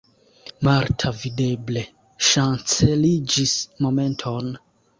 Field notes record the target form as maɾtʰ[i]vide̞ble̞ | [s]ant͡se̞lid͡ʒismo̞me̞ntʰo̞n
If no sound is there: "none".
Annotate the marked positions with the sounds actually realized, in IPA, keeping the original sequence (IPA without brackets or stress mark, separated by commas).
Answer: a, ʃ